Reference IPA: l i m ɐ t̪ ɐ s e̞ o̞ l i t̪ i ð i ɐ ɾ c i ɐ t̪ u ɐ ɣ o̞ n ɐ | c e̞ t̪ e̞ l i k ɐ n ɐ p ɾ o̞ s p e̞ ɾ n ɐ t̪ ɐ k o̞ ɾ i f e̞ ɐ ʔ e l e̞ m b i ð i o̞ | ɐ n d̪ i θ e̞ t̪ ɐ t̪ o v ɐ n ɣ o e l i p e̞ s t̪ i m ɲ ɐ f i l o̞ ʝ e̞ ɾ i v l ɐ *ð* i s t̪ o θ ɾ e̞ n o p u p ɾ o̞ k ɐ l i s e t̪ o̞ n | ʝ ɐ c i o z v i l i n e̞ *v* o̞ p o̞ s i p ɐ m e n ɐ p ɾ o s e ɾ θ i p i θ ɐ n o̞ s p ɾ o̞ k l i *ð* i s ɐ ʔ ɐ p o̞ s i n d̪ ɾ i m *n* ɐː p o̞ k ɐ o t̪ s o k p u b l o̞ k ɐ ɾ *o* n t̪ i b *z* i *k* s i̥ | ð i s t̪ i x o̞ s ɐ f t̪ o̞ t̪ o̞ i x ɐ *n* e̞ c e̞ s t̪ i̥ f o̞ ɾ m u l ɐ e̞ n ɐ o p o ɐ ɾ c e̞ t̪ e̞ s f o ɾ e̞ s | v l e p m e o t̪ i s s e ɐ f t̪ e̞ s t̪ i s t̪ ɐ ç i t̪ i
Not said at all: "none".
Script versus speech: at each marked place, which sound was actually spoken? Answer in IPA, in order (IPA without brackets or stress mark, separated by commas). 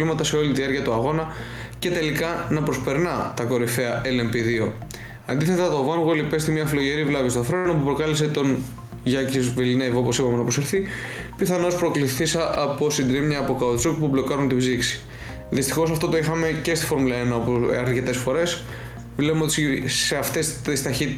v, v, θ, ɲ, u, z, k, m